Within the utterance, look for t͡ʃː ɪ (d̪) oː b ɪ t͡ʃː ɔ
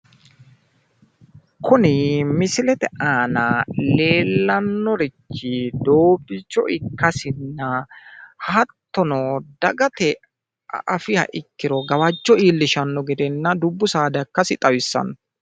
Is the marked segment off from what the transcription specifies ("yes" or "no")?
no